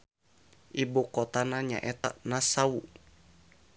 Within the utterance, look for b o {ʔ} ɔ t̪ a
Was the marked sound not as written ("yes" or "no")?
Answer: yes